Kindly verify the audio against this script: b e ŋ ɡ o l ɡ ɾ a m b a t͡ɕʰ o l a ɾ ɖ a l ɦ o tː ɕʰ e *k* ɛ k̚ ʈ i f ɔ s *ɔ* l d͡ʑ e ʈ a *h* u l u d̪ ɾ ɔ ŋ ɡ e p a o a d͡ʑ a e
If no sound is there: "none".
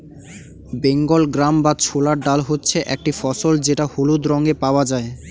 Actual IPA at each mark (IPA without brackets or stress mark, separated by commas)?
ʔ, o, h